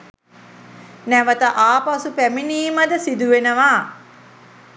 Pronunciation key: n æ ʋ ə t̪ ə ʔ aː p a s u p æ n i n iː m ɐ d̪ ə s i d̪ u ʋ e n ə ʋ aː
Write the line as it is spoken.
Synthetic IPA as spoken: n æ ʋ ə t̪ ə ʔ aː p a s u p æ m i n iː m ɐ d̪ ə s i d̪ u ʋ e n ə ʋ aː